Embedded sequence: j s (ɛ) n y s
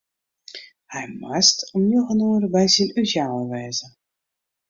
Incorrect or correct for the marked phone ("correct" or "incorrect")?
incorrect